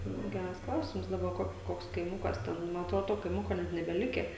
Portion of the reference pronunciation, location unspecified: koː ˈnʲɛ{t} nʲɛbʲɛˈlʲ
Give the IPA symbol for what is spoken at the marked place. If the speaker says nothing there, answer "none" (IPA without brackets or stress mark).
t